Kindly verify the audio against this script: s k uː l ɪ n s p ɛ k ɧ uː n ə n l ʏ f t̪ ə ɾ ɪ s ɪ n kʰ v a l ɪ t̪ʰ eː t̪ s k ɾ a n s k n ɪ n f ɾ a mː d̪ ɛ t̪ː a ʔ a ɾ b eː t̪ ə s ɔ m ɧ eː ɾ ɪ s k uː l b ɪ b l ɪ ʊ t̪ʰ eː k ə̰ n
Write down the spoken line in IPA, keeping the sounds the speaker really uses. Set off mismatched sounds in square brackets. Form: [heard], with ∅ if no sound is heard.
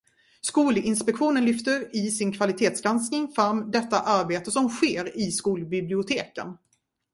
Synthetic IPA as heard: s k uː l ɪ n s p ɛ k ɧ uː n ə n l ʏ f t̪ ə ɾ ɪ s ɪ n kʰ v a l ɪ t̪ʰ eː t̪ s [ɡ] ɾ a n s k n ɪ [ŋ] f ɾ a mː d̪ ɛ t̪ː a ʔ a ɾ b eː t̪ ə s ɔ m ɧ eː ɾ ɪ s k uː l b ɪ b l ɪ ʊ t̪ʰ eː k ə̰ n